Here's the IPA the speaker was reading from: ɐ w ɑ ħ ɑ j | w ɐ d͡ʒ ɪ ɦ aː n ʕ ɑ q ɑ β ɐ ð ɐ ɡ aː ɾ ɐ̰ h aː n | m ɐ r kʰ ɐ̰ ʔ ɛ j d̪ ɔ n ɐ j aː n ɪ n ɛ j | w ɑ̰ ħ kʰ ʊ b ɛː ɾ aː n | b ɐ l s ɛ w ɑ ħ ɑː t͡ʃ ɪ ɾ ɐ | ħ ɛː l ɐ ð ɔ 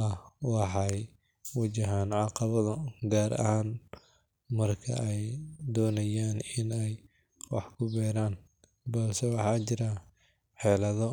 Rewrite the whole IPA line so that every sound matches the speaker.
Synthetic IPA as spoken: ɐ w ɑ ħ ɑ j | w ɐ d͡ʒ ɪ ɦ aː n ʕ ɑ q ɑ β ɐ ð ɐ ɡ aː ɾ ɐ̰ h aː n | m ɐ r kʰ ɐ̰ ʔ ɛ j d̪ ɔː n ɐ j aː n ɪ n ɛ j | w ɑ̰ ħ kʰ ʊ b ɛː ɾ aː n | b ɐ l s ɛ w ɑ ħ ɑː t͡ʃ ɪ ɾ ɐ | ħ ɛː l ɐ ð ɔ

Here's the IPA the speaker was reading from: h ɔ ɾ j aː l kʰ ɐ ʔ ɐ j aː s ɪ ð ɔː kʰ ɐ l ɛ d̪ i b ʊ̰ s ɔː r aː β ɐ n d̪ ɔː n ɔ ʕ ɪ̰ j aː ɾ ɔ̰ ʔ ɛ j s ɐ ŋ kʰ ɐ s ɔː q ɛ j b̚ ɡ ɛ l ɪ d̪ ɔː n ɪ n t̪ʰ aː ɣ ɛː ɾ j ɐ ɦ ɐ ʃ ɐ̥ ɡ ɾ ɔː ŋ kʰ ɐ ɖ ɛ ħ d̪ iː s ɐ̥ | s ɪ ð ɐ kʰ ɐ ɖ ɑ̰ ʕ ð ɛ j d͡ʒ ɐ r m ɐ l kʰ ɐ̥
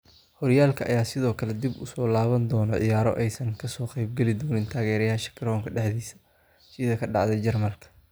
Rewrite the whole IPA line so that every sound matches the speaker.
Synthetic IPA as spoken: h ɔ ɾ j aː l kʰ ɐ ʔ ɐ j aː s ɪ ð ɔː kʰ ɐ l ɛ d̪ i b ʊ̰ s ɔː l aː β ɐ n d̪ ɔː n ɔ ʕ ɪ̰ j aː ɾ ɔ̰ ʔ ɛ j s ɐ ŋ kʰ ɐ s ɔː q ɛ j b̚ ɡ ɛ l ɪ d̪ ɔː n ɪ n t̪ʰ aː ɣ ɛː ɾ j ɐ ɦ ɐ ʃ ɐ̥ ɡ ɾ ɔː ŋ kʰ ɐ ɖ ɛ ħ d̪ iː s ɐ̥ | s ɪ ð ɐ kʰ ɐ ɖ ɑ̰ ʕ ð ɛ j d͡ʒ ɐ r m ɐ l kʰ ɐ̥

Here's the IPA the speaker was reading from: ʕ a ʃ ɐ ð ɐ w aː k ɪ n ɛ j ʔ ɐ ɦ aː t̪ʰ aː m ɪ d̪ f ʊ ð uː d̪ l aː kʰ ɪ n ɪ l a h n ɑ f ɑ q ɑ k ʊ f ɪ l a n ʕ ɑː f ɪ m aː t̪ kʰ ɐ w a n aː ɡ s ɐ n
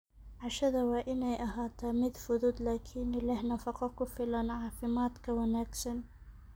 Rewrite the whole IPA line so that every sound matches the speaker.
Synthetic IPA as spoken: ʕ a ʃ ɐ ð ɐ w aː ʔ ɪ n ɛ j ʔ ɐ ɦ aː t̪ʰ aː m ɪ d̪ f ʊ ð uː d̪ l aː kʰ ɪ n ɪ l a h n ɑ f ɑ q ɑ k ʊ f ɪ l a n ʕ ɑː f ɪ m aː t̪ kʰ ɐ w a n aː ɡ s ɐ n

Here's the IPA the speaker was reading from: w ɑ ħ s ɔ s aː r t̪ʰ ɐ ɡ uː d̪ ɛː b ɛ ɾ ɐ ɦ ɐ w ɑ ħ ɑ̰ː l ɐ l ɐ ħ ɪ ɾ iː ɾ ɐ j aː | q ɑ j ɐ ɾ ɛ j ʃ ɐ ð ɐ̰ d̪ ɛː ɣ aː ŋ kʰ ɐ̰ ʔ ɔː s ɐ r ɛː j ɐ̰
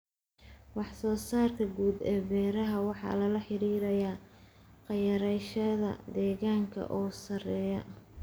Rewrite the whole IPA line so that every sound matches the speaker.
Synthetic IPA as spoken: w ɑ ħ s ɔː s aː r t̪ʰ ɐ ɡ uː d̪ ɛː b ɛː ɾ ɐ ɦ ɐ w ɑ ħ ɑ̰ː l ɐ l ɐ ħ ɪ ɾ iː ɾ ɐ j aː | q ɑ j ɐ ɾ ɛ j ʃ ɐ ð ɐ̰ d̪ ɛː ɣ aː ŋ kʰ ɐ̰ ʔ ɔː s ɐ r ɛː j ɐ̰

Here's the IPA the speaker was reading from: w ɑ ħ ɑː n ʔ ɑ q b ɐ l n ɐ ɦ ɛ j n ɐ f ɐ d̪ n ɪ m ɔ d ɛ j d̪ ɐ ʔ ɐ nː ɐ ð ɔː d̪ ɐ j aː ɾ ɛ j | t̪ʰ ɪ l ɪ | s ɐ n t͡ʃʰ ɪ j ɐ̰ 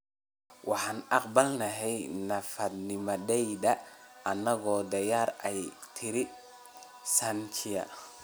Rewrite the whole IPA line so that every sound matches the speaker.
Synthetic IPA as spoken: w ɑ ħ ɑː n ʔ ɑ q b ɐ l n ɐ ɦ ɛ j n ɐ f ɐ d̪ n ɪ m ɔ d ɛ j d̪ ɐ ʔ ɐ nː ɐ ɣ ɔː d̪ ɐ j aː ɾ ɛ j | t̪ʰ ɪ ɾ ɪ | s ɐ n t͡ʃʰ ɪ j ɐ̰

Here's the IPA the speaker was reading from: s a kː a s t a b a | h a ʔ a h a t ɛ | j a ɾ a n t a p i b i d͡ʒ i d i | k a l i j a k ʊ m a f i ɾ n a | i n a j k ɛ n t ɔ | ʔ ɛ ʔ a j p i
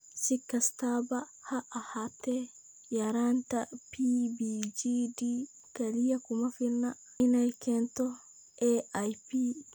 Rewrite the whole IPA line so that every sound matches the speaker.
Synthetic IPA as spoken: s i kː a s t a b a | h a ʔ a h a t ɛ | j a ɾ a n t a p i b i d͡ʒ i d i | k a l i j a k u m a f i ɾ n a | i n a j k ɛ n t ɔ | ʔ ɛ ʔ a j p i

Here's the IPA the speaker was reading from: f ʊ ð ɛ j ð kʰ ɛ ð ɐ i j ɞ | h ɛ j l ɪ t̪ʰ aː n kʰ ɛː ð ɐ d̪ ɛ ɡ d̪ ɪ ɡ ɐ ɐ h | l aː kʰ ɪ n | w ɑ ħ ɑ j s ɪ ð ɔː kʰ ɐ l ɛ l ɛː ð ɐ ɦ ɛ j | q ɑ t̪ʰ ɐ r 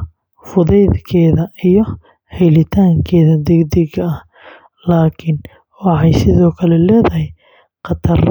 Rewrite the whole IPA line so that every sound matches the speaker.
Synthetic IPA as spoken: f ʊ ð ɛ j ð kʰ ɛː ð ɐ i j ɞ | h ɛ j l ɪ t̪ʰ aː ŋ kʰ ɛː ð ɐ d̪ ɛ ɡ d̪ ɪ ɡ ɐ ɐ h | l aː kʰ ɪ n | w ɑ ħ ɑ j s ɪ ð ɔː kʰ ɐ l ɛ l ɛː ð ɐ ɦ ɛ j | q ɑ t̪ʰ ɐ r

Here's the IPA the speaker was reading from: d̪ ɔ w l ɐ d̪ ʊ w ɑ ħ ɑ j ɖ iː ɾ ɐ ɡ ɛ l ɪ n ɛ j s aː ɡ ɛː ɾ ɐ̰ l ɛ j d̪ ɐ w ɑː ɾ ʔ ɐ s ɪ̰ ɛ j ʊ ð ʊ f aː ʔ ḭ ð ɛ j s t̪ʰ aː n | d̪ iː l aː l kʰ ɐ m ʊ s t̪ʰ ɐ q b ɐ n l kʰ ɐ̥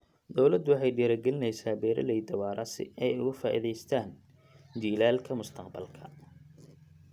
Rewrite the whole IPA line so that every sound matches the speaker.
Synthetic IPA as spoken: d̪ ɔ w l ɐ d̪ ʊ w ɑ ħ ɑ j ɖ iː ɾ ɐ ɡ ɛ l ɪ n ɛ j s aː b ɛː ɾ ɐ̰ l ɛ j d̪ ɐ w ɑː ɾ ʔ ɐ s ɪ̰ ɛ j ʊ ɣ ʊ f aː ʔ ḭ ð ɛ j s t̪ʰ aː n | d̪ iː l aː l kʰ ɐ m ʊ s t̪ʰ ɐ q b ɐ l kʰ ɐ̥

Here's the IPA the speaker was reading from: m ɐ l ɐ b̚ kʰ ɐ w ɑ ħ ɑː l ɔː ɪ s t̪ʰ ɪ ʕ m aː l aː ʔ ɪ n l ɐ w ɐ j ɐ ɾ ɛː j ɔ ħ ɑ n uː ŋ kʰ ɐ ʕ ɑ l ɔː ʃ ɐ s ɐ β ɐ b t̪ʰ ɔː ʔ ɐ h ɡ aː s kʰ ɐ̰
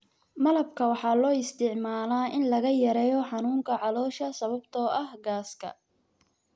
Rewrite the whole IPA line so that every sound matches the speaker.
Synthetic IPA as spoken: m ɐ l ɐ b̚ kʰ ɐ w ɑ ħ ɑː l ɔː ɪ s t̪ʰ ɪ ʕ m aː l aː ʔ ɪ n l ɐ ɣ ɐ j ɐ ɾ ɛː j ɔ ħ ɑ n uː ŋ kʰ ɐ ʕ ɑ l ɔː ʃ ɐ s ɐ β ɐ b t̪ʰ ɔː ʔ ɐ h ɡ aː s kʰ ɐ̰

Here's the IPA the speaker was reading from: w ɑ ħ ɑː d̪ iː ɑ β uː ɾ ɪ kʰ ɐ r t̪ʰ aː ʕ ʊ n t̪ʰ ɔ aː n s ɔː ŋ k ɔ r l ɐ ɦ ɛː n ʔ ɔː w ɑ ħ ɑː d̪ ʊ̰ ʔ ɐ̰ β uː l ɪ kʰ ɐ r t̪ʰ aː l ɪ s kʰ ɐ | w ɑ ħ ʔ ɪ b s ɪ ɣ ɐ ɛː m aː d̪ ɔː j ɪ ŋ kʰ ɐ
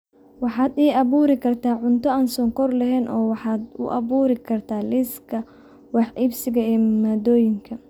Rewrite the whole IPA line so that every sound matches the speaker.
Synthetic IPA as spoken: w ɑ ħ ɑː d̪ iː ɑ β uː ɾ ɪ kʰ ɐ r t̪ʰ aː ʕ ʊ n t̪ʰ ɔ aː n s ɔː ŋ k ɔ r l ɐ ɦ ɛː n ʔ ɔː w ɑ ħ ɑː d̪ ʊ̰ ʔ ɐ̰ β uː ɾ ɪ kʰ ɐ r t̪ʰ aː l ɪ s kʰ ɐ | w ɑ ħ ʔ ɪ b s ɪ ɣ ɐ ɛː m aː d̪ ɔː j ɪ ŋ kʰ ɐ

